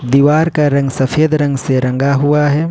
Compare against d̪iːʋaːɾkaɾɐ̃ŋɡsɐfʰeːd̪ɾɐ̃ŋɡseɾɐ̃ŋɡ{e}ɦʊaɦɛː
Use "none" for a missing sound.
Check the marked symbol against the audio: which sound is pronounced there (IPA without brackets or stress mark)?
a